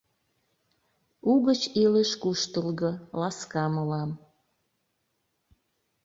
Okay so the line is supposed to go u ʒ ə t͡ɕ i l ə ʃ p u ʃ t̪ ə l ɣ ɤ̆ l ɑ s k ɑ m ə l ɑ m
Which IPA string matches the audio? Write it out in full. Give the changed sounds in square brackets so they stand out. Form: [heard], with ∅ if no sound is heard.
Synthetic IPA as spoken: u [ɣ] ə t͡ɕ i l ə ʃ [k] u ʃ t̪ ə l ɣ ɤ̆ l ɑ s k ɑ m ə l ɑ m